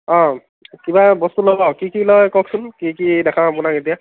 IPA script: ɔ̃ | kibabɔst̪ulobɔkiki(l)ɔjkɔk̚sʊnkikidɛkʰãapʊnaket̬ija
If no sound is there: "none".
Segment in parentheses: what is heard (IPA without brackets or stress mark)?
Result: l